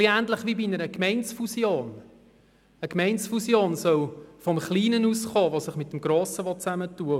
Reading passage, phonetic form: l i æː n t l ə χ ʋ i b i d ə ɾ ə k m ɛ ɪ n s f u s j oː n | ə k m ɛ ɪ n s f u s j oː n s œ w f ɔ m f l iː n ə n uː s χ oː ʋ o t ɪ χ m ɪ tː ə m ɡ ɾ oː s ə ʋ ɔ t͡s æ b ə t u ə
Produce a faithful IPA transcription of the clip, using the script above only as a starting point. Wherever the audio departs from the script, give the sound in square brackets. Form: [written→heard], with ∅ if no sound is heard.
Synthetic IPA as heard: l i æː n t l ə χ ʋ i b i [d→n] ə ɾ ə k m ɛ ɪ n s f u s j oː n | ə k m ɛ ɪ n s f u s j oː n s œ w f ɔ m [f→χ] l iː n ə n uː s χ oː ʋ o [t→s] ɪ χ m ɪ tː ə m ɡ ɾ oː s ə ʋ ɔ t͡s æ [b→m] ə t u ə